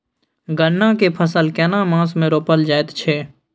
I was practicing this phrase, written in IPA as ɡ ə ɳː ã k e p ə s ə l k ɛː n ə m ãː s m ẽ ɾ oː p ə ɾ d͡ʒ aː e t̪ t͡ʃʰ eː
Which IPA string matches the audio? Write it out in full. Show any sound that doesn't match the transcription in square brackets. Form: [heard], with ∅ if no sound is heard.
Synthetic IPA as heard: ɡ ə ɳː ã k e [pʰ] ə s ə l k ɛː n [a] m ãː s m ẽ ɾ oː p ə [l] d͡ʒ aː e t̪ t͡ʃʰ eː